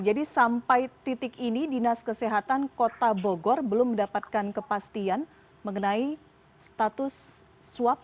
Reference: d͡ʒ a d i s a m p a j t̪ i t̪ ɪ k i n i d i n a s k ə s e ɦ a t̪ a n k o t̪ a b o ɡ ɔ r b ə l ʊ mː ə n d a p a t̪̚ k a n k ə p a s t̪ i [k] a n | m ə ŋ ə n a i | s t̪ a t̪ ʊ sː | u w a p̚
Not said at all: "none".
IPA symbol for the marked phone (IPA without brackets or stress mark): none